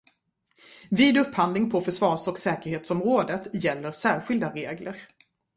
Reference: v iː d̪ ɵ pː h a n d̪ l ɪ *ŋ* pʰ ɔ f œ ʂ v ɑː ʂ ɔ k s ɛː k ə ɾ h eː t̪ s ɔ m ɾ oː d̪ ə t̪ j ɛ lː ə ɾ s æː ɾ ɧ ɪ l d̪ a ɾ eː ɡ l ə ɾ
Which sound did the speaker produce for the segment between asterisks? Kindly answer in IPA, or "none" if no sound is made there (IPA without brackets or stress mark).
ŋ